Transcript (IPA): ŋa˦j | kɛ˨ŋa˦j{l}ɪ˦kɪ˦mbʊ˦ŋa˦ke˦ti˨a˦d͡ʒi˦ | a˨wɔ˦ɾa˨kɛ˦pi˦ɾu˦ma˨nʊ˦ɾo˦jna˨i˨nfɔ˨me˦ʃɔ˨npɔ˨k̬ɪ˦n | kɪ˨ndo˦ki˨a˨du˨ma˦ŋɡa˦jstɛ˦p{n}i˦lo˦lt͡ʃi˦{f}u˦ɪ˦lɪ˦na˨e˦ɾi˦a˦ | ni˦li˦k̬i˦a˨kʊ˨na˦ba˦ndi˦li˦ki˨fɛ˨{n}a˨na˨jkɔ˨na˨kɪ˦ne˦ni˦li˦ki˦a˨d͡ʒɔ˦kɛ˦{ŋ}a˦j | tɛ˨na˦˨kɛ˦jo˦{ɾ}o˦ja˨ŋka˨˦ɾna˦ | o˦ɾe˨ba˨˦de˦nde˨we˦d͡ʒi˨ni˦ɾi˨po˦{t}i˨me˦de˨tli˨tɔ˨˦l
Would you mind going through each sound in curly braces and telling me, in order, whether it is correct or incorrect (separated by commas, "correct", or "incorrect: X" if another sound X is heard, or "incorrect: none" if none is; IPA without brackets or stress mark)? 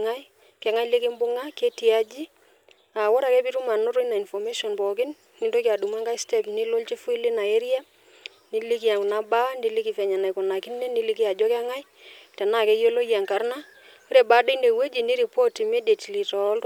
correct, correct, correct, incorrect: ɲ, correct, incorrect: l, correct